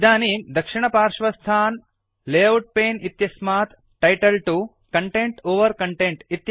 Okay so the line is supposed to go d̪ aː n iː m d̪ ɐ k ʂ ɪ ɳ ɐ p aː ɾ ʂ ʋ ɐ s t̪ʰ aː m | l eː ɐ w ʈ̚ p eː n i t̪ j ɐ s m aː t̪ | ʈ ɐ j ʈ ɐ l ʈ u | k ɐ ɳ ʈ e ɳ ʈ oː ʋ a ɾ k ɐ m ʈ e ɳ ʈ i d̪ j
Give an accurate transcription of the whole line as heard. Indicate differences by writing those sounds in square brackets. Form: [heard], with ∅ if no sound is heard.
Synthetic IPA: d̪ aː n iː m d̪ ɐ k ʂ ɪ ɳ ɐ p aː ɾ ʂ ʋ ɐ s t̪ʰ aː [n] | l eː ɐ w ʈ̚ p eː n i t̪ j ɐ s m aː t̪ | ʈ ɐ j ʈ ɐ l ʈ u | k ɐ ɳ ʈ e ɳ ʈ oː ʋ [ɐ] ɾ k ɐ [ɳ] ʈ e ɳ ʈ i [t̪] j